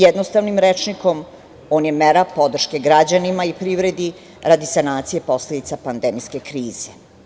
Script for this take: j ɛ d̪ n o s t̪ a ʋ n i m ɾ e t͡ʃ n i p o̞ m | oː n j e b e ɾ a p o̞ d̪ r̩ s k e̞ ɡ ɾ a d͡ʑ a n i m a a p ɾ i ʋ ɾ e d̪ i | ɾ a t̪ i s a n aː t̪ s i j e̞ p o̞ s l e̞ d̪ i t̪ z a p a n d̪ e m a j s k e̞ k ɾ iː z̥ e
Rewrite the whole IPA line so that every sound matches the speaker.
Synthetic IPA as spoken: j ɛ d̪ n o s t̪ a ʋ n i m ɾ e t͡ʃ n i k o̞ m | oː n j e m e ɾ a p o̞ d̪ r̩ ʃ k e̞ ɡ ɾ a d͡ʑ a n i m a i p ɾ i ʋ ɾ e d̪ i | ɾ a d̪ i s a n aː t̪ s i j e̞ p o̞ s l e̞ d̪ i t̪ s a p a n d̪ e m i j s k e̞ k ɾ iː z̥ e